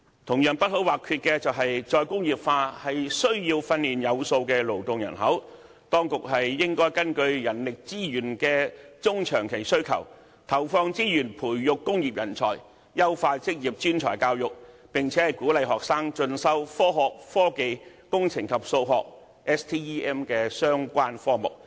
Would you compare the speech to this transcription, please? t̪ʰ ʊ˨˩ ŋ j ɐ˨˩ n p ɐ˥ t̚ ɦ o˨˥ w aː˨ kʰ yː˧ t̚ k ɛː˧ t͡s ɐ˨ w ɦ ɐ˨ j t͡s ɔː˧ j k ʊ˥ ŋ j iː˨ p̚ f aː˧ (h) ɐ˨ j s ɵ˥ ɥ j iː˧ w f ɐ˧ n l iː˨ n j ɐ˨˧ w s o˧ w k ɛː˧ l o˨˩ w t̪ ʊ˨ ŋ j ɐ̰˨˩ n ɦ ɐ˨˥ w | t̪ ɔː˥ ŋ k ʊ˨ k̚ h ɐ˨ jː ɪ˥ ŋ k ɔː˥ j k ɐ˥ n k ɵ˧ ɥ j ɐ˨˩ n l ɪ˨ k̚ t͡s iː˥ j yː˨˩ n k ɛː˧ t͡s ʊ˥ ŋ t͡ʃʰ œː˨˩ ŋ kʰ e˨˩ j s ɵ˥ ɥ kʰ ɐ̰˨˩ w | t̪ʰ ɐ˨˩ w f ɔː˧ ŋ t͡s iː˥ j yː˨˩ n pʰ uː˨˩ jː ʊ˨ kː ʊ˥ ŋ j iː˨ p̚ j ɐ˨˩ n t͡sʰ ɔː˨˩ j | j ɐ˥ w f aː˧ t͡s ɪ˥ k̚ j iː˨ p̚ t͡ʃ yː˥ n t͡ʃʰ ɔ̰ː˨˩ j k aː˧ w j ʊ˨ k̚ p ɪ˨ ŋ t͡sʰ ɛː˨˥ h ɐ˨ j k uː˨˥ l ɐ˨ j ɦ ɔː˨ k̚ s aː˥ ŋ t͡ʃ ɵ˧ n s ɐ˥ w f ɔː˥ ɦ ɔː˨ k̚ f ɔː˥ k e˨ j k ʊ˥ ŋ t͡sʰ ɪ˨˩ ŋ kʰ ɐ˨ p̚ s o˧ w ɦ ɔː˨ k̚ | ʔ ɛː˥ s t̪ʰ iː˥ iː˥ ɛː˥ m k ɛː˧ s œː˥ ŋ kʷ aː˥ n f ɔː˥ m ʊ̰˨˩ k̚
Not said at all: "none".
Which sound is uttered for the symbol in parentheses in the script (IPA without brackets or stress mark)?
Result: h